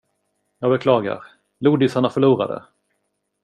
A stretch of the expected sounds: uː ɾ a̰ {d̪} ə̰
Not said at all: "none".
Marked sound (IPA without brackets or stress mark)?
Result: d̪